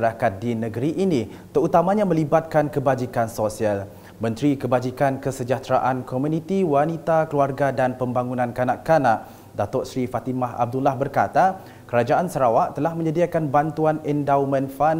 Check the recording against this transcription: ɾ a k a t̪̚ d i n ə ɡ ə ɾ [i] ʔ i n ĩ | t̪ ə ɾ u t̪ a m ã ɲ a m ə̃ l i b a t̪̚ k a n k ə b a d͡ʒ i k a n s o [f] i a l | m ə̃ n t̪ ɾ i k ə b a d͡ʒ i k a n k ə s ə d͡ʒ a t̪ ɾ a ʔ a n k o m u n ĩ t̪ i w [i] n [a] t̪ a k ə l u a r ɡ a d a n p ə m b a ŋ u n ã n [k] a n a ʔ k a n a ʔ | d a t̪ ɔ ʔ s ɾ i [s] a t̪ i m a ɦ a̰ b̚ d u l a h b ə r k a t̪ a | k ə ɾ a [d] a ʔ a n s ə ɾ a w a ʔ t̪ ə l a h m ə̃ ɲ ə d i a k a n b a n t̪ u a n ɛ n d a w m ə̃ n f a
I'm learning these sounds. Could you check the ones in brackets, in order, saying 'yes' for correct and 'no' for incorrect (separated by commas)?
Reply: yes, no, no, no, yes, no, no